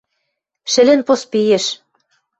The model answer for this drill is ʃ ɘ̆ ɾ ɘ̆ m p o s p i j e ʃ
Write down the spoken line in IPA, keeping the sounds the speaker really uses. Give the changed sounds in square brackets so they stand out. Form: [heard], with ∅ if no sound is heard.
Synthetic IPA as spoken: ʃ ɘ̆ [l] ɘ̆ [n] p o s p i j e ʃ